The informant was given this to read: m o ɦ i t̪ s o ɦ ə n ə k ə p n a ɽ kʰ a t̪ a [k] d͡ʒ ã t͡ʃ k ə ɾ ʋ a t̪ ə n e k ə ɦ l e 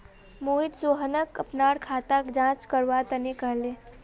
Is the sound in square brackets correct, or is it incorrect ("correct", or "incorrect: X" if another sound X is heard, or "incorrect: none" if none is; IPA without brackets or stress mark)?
correct